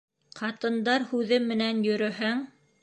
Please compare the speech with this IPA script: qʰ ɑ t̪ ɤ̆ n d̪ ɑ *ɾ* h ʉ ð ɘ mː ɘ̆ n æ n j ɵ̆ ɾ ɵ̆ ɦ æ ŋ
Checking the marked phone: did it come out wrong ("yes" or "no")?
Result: no